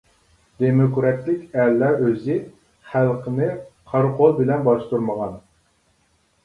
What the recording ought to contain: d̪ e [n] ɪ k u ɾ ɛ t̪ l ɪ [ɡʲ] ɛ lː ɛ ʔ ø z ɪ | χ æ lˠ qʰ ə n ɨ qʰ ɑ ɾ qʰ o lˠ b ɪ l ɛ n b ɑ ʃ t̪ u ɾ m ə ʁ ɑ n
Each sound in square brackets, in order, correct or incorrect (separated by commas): incorrect, incorrect